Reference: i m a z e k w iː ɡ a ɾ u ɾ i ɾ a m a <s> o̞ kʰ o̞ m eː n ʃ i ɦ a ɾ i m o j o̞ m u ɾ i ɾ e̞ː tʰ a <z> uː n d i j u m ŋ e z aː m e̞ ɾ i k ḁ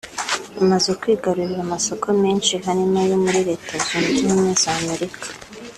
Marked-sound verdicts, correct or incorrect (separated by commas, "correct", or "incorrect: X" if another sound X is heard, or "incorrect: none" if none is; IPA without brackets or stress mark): correct, correct